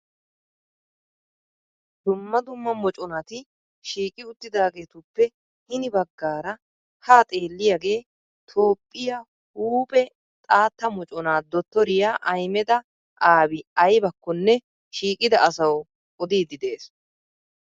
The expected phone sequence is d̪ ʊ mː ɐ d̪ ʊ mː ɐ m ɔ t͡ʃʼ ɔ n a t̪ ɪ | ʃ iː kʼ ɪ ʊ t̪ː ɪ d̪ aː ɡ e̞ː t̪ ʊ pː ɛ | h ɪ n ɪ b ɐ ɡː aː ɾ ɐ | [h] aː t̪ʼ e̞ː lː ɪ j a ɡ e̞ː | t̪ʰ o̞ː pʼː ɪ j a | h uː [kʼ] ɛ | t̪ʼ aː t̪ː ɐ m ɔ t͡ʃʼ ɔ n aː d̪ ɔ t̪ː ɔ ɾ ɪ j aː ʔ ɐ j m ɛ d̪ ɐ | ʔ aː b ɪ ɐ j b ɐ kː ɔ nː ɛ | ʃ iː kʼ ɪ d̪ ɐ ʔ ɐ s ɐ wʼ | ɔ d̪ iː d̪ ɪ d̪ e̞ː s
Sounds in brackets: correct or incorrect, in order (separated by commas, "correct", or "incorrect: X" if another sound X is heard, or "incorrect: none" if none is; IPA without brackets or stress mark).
correct, incorrect: pʼ